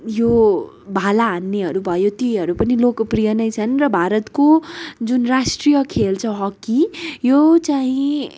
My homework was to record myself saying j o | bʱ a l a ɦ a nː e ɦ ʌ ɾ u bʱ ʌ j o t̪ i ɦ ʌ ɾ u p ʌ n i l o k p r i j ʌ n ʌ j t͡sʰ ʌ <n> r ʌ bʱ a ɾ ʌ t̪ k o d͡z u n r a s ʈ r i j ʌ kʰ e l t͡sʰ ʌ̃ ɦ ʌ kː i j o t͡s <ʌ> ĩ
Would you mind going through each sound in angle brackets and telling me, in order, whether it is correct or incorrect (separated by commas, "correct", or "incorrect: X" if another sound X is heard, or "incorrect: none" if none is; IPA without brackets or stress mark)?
correct, incorrect: a